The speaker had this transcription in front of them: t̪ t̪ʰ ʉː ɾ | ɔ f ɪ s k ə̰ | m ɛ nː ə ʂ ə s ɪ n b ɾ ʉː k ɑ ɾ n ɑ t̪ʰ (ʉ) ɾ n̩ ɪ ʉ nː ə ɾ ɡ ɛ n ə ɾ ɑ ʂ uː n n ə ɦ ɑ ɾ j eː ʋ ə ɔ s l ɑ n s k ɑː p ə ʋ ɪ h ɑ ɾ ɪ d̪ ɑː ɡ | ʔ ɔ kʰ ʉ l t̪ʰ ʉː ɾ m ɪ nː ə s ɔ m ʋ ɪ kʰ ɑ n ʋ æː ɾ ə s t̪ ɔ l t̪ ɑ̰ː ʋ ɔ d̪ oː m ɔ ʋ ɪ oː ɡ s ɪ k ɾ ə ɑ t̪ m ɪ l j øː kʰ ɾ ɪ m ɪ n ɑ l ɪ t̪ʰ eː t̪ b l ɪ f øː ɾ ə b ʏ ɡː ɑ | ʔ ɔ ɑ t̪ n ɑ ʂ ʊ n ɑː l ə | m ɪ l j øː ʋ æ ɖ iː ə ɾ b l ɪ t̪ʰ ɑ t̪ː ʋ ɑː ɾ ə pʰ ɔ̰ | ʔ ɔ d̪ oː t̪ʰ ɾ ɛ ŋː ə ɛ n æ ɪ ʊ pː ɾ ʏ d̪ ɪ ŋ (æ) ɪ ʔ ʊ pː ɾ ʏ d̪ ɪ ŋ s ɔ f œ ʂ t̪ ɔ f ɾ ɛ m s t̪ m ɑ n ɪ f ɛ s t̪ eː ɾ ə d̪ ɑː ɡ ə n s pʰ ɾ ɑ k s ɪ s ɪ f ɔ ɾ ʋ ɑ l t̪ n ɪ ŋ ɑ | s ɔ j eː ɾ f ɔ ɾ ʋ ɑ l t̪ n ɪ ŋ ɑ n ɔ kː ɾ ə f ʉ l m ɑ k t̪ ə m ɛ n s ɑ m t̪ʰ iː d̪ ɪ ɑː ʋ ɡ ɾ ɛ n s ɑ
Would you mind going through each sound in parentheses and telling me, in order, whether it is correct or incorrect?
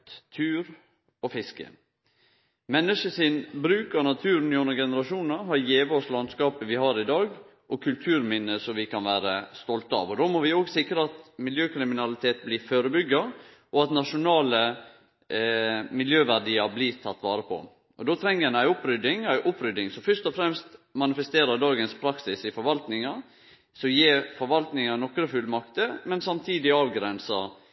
incorrect: ʉː, correct

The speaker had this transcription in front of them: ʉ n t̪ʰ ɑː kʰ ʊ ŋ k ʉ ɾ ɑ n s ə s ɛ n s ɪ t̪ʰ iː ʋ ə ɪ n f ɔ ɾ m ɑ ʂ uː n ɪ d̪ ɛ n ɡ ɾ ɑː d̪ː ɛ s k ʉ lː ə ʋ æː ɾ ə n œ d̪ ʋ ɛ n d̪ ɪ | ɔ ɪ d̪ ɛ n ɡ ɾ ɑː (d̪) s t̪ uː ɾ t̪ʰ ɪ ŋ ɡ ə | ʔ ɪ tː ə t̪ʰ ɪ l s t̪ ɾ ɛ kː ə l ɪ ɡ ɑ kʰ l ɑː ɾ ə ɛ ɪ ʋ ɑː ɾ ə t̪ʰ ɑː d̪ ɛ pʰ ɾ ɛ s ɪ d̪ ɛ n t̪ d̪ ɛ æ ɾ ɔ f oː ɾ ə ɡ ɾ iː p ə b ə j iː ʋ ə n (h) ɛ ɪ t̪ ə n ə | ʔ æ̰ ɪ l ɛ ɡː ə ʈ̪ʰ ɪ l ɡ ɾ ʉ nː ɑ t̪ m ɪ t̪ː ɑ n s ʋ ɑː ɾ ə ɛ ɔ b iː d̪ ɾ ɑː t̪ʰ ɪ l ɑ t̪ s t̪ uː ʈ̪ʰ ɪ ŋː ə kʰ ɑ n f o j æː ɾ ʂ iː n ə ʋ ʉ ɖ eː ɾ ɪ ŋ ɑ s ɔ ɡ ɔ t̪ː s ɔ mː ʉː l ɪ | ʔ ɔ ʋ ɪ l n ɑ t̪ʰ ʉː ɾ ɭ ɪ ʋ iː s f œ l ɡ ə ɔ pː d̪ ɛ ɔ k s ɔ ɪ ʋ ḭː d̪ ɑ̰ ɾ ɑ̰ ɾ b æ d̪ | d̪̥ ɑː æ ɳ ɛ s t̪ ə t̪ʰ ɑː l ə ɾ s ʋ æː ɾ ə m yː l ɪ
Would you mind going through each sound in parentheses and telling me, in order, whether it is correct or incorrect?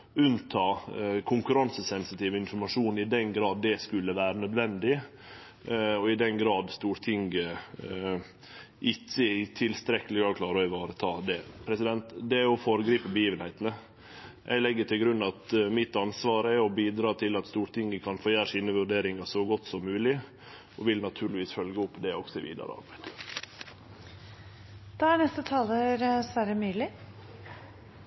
correct, correct

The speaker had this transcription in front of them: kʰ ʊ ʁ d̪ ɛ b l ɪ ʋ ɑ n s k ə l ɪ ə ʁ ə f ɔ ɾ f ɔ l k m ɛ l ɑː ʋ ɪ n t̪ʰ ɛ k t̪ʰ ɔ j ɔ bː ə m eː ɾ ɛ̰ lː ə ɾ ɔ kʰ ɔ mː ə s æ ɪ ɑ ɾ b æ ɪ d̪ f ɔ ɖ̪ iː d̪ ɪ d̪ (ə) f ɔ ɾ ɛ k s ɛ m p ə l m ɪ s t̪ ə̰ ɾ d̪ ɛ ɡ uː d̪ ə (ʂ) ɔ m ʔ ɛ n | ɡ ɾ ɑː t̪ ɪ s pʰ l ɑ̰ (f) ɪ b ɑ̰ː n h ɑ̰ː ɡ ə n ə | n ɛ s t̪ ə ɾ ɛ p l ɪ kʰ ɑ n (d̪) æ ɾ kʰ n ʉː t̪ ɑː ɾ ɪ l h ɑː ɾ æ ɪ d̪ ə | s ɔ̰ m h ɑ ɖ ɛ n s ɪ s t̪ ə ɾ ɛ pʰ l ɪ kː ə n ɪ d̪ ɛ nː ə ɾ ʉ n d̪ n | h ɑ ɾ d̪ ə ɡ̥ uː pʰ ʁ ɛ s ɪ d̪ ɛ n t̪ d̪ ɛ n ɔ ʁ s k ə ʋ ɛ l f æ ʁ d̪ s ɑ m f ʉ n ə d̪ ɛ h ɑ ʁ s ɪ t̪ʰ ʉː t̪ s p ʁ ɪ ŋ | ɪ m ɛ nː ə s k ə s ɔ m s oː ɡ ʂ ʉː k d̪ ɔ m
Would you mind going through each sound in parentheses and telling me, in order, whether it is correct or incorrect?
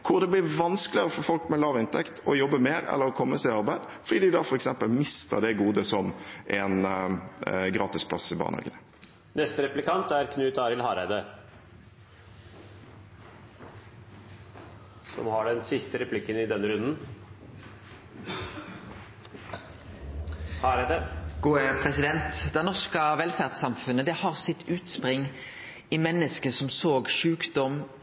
incorrect: ɑ, incorrect: s, incorrect: s, incorrect: t̪

